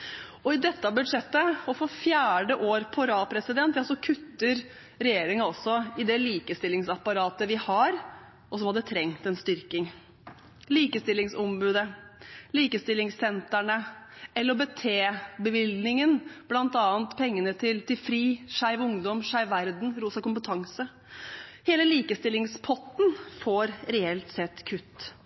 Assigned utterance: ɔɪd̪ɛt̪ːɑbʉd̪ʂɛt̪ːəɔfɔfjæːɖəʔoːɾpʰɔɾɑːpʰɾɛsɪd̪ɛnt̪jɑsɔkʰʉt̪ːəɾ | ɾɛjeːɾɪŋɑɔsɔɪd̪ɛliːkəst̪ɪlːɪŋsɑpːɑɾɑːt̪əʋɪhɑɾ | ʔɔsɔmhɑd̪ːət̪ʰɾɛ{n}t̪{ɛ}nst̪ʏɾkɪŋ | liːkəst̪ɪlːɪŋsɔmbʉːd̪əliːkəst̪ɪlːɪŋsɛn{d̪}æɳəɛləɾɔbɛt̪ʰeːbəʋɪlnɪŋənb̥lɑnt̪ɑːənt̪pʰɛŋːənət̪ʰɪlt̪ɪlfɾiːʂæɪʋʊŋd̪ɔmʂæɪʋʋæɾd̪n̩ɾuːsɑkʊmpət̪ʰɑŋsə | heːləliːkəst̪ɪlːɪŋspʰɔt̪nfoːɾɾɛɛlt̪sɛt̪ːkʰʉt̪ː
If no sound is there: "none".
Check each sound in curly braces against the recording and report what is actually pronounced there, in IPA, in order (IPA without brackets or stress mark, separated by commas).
ŋ, ɛ, t̪